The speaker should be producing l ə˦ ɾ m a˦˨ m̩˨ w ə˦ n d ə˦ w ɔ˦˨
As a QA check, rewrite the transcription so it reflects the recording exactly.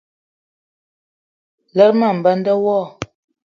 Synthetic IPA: l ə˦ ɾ m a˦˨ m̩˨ b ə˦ n d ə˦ w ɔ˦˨